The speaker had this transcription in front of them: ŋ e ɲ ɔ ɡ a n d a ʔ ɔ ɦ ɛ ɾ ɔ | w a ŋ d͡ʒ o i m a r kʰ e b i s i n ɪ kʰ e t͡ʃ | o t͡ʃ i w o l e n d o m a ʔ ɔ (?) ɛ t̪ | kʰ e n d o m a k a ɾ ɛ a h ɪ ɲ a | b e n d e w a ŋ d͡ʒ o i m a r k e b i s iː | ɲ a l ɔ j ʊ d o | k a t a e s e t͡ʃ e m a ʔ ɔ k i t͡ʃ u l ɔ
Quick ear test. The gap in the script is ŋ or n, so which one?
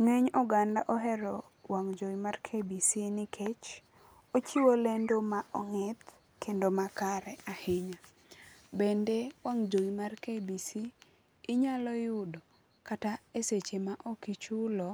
ŋ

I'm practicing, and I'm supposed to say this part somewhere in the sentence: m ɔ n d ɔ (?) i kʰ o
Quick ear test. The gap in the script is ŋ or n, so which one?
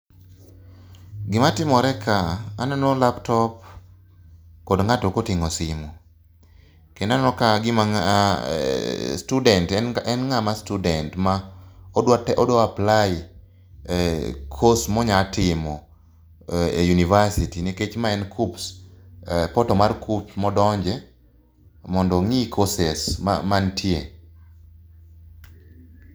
ŋ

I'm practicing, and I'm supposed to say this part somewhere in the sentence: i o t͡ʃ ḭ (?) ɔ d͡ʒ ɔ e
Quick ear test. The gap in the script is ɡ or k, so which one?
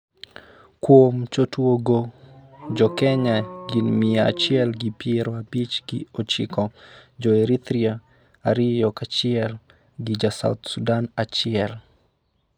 k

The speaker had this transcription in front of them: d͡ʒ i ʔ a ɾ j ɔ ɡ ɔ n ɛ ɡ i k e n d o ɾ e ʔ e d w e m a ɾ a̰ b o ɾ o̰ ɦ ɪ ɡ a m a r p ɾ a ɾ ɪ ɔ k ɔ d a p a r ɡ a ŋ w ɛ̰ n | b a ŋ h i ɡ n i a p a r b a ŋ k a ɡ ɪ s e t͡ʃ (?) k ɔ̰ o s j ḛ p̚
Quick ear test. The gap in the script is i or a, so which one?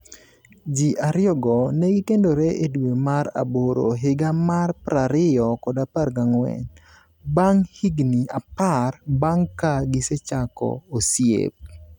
a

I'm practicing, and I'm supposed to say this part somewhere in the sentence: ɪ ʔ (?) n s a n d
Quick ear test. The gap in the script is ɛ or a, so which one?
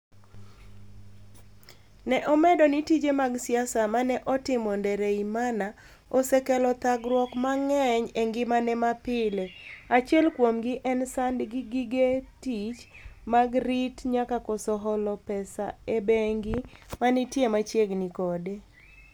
ɛ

